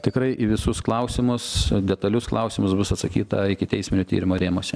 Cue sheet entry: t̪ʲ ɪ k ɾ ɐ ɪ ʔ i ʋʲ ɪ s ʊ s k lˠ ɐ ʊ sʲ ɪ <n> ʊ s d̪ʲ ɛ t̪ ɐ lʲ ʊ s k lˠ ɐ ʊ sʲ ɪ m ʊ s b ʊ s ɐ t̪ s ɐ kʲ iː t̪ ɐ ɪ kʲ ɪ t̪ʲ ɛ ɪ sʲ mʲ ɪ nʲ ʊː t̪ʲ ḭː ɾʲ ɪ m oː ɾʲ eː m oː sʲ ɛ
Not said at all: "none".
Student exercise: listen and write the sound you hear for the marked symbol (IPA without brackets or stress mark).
m